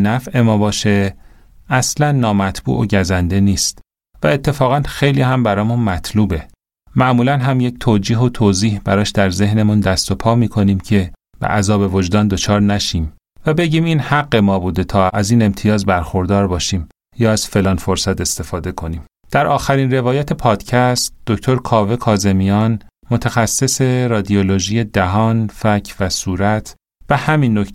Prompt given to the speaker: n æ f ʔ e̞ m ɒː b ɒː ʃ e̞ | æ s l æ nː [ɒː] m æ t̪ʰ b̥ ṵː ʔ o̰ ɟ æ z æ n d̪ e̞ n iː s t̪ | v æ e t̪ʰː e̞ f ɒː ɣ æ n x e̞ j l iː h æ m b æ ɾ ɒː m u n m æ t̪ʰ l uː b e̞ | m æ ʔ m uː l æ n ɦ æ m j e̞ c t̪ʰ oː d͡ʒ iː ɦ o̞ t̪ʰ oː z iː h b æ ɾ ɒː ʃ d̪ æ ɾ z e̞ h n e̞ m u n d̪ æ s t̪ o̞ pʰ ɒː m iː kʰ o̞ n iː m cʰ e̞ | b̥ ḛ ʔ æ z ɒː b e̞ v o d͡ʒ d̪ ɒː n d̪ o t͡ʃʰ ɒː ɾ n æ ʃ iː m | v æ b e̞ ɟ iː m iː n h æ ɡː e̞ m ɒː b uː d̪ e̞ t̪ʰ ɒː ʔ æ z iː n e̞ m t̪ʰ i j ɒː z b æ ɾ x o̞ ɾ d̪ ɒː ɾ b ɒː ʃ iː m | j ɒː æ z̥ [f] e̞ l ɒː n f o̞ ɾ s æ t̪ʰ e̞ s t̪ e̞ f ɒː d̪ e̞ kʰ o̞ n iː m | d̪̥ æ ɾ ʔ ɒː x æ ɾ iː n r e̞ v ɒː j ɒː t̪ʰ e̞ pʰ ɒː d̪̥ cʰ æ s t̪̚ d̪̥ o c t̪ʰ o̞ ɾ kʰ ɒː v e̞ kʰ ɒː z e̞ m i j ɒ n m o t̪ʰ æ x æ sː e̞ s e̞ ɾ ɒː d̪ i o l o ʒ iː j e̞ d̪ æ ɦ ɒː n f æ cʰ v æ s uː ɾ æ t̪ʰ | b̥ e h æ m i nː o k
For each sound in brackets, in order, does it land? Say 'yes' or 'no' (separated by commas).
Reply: yes, yes